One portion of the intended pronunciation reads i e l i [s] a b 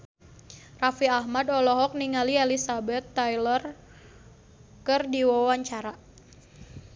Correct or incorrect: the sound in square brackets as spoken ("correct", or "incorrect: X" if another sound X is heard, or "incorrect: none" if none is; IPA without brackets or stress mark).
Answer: correct